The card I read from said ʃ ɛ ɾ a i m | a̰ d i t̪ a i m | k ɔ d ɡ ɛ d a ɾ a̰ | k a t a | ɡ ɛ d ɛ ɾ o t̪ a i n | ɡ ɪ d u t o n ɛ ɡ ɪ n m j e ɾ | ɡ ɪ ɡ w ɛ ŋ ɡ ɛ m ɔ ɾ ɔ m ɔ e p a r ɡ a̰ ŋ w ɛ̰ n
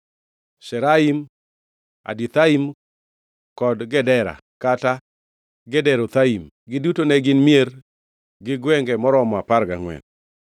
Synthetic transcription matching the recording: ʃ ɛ ɾ a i m | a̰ d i t̪ a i m | k ɔ d ɡ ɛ d ɛ ɾ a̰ | k a t a | ɡ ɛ d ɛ ɾ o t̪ a i m | ɡ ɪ d u t o n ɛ ɡ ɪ n m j e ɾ | ɡ ɪ ɡ w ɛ ŋ ɡ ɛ m ɔ ɾ ɔ m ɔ a p a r ɡ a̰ ŋ w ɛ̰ n